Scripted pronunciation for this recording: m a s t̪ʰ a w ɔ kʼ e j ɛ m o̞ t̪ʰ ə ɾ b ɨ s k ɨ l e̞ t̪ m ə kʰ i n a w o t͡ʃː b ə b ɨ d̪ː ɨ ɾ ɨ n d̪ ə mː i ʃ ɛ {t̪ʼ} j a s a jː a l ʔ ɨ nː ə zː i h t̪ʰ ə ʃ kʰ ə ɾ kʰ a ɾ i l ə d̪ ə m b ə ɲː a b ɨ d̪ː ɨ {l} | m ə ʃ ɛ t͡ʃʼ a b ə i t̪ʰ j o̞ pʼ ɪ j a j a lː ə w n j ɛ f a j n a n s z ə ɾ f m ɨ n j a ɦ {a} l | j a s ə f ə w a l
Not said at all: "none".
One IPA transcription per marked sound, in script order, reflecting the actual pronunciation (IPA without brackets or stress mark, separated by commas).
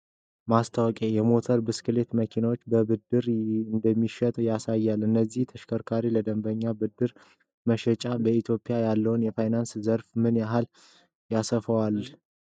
t̪ʼ, ɾ, a